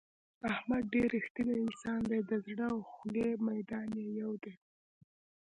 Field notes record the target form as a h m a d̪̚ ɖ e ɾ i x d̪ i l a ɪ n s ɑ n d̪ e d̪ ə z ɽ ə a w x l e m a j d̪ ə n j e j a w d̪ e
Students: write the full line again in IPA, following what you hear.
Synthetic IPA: a h m a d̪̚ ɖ e ɾ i x t̪ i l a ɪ n s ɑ n d̪ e d̪ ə z ɽ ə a w x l e m a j d̪ ɑ n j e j a w d̪ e